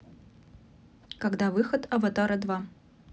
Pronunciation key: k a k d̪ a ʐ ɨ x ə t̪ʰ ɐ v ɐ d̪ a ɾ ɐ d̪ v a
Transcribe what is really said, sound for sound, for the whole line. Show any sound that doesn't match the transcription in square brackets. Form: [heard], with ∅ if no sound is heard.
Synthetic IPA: k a [ɡ] d̪ a [v] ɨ x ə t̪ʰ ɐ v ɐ [t̪] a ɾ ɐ d̪ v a